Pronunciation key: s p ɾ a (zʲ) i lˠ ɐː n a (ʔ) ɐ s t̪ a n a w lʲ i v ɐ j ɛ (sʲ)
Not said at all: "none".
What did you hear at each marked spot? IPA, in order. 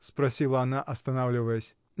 sʲ, ʔ, sʲ

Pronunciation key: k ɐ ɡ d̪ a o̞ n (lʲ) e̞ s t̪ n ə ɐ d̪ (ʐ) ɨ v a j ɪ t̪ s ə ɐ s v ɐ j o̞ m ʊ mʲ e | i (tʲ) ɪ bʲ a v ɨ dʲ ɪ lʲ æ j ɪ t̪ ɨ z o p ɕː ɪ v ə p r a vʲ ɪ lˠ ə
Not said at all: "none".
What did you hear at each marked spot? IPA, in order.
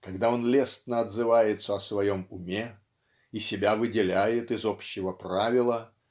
lʲ, z, sʲ

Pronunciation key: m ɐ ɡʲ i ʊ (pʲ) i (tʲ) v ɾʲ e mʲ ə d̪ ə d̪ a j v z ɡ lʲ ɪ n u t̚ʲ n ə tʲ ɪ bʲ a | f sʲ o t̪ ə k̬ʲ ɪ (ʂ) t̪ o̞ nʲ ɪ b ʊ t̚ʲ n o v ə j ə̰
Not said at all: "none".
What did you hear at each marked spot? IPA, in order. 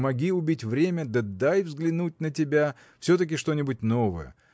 bʲ, tʲ, ʂ

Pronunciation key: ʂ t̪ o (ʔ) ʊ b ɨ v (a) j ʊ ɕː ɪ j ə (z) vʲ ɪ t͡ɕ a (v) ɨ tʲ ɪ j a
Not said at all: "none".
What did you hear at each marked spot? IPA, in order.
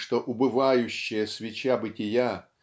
ʔ, a, s, b

